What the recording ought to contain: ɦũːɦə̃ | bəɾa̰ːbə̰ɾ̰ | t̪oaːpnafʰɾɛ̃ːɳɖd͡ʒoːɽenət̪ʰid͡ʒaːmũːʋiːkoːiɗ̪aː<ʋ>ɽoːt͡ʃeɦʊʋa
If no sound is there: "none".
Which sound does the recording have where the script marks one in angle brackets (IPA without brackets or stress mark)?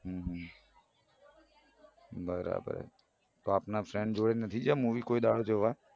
none